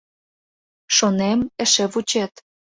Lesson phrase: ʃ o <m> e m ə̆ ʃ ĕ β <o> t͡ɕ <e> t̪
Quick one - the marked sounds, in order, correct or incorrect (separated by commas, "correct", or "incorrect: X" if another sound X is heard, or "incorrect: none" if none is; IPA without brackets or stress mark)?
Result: incorrect: n, incorrect: u, correct